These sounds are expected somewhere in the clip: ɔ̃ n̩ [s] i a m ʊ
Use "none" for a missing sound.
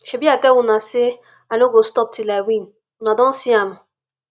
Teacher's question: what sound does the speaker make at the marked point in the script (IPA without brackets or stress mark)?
s